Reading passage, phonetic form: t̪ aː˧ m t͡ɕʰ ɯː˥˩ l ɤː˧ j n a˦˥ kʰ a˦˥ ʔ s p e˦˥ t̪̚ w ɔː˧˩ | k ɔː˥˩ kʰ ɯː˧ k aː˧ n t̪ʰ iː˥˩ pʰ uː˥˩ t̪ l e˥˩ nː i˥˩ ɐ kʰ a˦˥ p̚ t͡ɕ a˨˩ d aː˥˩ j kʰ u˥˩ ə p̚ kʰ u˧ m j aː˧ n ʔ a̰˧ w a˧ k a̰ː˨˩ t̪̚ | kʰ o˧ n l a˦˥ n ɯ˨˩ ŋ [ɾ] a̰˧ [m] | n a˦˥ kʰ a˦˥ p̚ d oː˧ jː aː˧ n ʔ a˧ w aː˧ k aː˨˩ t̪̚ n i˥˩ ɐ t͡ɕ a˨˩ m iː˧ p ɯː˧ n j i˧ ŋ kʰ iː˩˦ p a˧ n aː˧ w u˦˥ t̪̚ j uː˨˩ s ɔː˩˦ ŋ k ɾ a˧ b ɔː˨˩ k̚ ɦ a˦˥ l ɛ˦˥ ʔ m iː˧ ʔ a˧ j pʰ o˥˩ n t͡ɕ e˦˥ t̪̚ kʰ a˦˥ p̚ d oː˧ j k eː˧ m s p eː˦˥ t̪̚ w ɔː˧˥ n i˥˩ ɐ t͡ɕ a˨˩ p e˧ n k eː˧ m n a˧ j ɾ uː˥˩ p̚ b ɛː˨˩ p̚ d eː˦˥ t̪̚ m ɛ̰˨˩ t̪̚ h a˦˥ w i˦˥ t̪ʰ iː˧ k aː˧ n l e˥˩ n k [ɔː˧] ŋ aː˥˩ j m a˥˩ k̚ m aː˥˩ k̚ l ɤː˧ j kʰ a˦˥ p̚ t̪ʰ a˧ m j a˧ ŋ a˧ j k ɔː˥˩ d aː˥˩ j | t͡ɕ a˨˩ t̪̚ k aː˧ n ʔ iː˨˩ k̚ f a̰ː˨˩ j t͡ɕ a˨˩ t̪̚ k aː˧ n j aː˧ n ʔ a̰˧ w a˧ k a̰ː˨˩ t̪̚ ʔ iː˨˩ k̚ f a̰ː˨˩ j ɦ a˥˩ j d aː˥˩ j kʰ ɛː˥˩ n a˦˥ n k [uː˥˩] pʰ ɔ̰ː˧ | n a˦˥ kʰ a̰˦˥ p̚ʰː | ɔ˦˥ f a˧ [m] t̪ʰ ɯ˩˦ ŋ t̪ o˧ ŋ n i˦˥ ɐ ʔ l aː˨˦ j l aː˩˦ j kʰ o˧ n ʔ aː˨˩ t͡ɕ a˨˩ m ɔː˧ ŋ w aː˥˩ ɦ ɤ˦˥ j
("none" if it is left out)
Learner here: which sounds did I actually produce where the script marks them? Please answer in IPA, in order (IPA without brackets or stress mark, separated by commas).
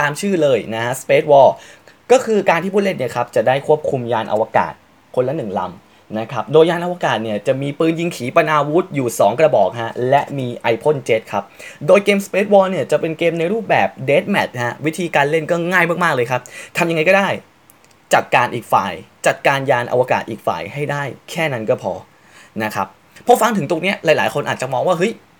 l, m, ɔː˥˩, ɔː˥˩, ŋ